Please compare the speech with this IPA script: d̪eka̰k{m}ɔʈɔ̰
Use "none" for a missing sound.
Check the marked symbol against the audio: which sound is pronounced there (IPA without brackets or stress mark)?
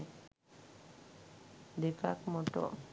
m